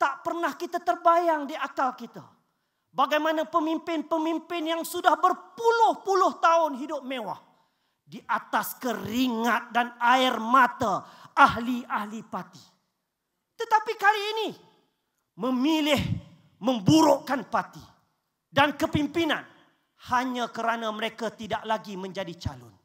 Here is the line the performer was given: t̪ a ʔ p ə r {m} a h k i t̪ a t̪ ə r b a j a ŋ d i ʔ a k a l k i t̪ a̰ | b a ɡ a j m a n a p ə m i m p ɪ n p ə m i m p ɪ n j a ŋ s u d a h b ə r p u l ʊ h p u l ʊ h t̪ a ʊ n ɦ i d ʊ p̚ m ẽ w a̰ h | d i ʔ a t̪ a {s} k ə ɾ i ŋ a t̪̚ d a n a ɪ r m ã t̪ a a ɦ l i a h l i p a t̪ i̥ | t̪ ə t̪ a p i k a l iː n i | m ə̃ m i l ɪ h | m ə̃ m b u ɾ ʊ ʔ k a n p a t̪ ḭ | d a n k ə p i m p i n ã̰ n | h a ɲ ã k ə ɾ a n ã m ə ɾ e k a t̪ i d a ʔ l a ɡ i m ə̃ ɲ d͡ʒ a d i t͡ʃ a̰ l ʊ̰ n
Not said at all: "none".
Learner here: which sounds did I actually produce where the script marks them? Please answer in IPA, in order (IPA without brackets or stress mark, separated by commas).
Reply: n, s